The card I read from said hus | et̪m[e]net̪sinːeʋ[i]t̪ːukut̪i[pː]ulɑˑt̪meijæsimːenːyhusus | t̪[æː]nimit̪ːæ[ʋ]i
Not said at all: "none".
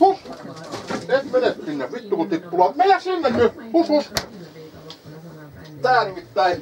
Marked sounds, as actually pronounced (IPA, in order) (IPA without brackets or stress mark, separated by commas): e, i, pː, æː, none